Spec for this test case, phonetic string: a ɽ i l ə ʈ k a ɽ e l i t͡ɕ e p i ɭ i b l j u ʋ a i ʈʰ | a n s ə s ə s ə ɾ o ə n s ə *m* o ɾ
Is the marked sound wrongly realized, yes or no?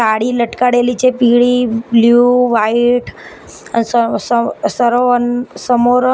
no